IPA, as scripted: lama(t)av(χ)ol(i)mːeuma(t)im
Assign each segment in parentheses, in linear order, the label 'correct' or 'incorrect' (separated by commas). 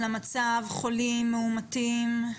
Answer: incorrect, correct, correct, correct